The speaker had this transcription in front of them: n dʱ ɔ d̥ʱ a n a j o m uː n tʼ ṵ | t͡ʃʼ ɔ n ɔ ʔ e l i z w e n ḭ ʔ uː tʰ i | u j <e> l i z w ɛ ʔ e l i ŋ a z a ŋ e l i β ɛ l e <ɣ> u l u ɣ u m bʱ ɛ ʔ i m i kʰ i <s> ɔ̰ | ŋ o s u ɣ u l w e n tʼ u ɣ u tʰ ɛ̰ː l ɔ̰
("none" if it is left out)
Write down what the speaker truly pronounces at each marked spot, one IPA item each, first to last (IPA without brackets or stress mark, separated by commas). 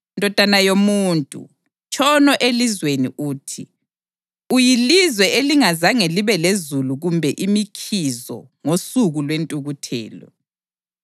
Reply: i, z, z